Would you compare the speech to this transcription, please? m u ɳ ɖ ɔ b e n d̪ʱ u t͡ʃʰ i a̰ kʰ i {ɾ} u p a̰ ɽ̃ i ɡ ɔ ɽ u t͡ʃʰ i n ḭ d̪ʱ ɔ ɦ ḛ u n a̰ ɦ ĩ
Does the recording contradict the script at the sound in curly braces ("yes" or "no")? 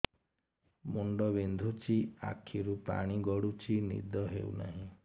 no